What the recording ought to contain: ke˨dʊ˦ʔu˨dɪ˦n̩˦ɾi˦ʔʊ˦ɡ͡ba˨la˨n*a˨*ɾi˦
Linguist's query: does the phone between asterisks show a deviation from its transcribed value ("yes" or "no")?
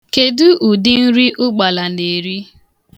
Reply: yes